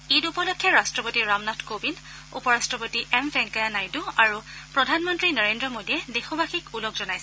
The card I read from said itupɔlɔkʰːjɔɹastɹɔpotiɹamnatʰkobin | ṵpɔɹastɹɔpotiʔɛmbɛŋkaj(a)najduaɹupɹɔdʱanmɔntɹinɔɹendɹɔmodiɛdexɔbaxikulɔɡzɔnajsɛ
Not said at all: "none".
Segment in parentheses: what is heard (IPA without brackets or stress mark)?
a